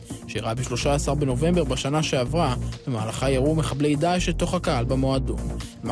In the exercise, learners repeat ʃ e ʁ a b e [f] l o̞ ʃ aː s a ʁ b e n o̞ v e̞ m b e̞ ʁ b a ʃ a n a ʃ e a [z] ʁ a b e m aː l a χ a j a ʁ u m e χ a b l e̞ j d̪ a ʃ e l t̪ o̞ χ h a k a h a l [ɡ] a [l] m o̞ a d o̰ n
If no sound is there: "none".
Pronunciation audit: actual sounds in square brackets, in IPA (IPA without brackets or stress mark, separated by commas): ʃ, v, b, none